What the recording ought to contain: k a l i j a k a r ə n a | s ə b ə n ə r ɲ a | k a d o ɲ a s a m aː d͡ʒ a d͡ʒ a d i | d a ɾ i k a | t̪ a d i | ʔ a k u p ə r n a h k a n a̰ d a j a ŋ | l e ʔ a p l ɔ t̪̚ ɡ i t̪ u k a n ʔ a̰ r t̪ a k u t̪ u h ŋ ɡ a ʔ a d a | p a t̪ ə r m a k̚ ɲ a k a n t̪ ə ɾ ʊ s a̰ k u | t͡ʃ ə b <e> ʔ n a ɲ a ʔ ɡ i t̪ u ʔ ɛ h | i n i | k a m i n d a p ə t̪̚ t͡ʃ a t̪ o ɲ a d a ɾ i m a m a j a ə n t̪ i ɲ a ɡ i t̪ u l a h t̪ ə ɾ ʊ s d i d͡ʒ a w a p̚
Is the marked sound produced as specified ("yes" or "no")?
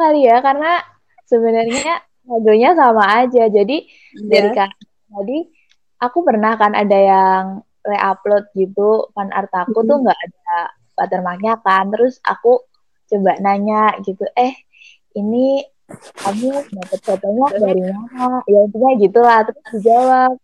no